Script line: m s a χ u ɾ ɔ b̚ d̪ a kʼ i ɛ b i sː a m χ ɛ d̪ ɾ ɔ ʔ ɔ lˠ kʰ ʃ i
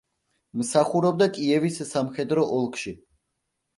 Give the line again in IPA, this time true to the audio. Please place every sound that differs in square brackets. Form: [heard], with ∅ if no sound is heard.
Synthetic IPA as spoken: m s a χ u ɾ ɔ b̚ d̪ a kʼ i ɛ [v] i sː a m χ ɛ d̪ ɾ ɔ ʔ ɔ lˠ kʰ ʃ i